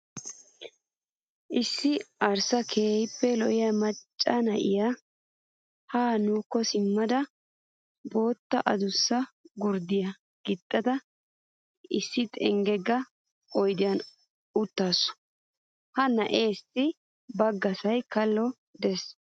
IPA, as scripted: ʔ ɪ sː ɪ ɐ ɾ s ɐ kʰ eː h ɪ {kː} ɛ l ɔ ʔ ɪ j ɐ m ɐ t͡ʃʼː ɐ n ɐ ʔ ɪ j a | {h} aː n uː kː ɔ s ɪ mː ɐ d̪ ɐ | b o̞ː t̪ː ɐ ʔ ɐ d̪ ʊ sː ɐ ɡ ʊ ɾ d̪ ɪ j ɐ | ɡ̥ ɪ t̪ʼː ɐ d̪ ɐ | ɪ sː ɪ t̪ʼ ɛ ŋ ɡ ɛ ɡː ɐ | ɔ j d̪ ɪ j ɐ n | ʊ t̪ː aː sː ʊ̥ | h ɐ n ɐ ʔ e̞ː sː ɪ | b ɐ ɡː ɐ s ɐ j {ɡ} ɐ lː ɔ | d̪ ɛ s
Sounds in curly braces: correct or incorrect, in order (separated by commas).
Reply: incorrect, correct, incorrect